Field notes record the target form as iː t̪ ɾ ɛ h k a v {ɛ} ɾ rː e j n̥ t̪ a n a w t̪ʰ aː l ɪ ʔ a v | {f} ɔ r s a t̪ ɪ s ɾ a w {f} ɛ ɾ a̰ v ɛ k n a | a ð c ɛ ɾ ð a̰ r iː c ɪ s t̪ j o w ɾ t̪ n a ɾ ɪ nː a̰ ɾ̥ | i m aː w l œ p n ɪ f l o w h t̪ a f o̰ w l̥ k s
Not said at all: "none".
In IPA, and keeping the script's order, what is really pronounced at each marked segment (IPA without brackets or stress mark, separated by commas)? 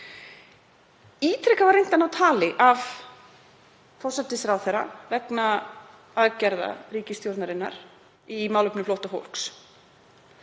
a, f, θ